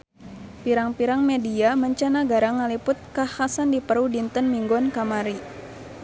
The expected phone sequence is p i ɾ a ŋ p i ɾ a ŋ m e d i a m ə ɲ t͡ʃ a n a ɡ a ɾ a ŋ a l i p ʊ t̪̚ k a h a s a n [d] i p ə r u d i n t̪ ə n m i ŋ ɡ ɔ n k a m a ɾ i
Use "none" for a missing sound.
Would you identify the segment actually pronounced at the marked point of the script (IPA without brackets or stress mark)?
d